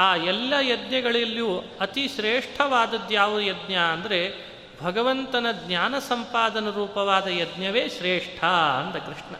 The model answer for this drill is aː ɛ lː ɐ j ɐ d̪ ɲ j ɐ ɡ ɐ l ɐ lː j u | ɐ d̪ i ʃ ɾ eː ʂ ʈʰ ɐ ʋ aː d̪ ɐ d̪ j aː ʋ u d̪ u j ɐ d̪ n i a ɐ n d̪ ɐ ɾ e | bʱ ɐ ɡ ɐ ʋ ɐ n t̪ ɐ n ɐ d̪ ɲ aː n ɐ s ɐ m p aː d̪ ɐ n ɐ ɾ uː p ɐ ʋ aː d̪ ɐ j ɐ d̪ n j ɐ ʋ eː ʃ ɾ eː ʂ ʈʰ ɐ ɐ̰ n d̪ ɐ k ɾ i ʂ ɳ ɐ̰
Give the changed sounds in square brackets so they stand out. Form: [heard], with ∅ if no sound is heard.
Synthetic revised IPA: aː ɛ lː ɐ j ɐ d̪ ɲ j ɐ ɡ ɐ [ɭ] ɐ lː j u | ɐ [t̪] i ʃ ɾ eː ʂ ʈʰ ɐ ʋ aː d̪ ɐ d̪ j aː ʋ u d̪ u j ɐ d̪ n [j] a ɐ n d̪ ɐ ɾ e | bʱ ɐ ɡ ɐ ʋ ɐ n t̪ ɐ n ɐ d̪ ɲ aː n ɐ s ɐ m p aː d̪ ɐ n ɐ ɾ uː p ɐ ʋ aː d̪ ɐ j ɐ d̪ n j ɐ ʋ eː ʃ ɾ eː ʂ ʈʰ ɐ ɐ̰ n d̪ ɐ k ɾ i ʂ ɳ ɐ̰